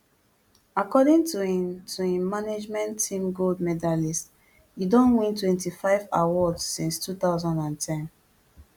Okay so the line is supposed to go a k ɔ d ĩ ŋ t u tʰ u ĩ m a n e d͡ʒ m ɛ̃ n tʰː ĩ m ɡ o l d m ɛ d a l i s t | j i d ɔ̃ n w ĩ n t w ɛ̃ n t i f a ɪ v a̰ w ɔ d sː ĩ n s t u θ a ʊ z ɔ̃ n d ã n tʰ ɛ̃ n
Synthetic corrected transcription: a k ɔ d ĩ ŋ t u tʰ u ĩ m a n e d͡ʒ m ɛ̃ n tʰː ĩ m ɡ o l d m ɛ d a l i s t | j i d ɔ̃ n w ĩ n t w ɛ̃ n t i f a ɪ v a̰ w ɔ d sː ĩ n s t u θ a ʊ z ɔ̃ n d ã n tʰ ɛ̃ n